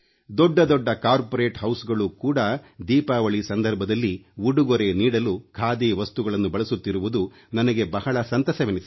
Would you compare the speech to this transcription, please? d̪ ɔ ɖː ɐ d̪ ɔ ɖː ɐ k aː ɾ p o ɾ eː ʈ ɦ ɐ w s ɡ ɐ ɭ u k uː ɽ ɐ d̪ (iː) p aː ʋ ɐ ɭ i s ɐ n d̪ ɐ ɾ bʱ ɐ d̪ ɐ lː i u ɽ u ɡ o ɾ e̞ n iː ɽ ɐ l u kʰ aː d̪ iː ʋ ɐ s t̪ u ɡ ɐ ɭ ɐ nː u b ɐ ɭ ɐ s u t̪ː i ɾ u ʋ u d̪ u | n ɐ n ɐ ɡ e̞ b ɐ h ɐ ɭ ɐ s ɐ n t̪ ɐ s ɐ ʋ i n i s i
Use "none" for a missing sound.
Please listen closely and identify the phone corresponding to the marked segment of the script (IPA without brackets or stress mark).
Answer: iː